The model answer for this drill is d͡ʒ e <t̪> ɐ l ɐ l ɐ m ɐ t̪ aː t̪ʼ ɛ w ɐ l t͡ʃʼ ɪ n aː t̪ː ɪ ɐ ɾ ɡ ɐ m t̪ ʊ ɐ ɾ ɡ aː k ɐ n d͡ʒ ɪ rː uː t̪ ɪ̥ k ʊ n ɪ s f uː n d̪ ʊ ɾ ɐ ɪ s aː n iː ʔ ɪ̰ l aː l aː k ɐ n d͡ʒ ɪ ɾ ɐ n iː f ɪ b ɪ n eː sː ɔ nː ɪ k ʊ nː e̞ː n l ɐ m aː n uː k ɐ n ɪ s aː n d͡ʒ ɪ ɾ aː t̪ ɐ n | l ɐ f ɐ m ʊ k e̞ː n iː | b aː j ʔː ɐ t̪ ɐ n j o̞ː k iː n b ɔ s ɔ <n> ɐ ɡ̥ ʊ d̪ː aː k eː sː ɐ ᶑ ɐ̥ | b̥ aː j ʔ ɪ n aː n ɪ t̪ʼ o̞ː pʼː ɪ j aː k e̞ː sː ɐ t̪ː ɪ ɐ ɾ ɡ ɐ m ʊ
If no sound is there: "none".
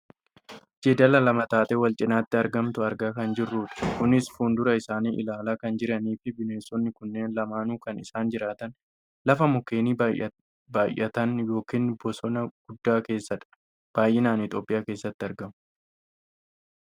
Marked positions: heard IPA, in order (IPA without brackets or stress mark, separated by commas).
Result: d̪, n